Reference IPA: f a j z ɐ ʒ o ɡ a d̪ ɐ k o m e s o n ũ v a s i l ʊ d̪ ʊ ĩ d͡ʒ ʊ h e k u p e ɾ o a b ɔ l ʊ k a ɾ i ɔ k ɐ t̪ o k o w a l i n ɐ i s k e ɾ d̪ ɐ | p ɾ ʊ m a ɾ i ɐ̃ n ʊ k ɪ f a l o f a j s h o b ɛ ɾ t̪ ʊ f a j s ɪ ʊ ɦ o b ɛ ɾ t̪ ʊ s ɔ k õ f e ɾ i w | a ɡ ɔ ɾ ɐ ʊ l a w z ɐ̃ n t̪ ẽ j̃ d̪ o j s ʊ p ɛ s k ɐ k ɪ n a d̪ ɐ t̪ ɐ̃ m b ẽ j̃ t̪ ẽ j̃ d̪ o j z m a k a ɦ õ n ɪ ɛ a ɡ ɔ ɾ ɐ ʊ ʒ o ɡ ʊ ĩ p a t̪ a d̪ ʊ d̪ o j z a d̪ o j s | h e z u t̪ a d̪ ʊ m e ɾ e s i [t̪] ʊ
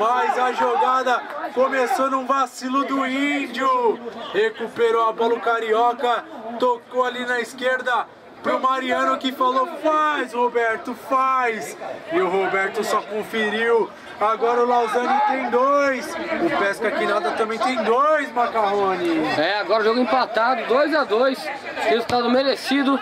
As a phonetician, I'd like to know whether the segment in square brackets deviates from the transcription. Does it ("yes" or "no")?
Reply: yes